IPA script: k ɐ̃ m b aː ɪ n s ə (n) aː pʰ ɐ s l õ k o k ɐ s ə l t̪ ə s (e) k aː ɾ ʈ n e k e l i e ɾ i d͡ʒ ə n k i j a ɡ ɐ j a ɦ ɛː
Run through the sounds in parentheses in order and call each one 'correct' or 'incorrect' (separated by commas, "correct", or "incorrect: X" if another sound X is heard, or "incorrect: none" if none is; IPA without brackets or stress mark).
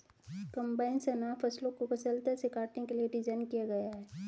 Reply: correct, correct